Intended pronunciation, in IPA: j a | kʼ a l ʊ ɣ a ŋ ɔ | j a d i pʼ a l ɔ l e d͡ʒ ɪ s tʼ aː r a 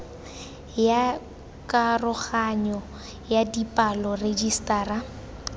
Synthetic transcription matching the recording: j a | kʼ a r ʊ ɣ a ɲ ɔ | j a d i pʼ a l ɔ r e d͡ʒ i s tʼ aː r a